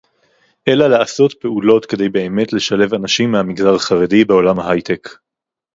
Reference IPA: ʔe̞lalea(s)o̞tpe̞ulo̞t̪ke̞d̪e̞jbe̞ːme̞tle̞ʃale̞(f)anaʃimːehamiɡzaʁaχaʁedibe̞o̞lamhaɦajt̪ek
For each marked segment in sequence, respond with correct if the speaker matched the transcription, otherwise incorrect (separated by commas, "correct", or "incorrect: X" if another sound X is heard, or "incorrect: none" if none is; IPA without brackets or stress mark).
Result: correct, incorrect: v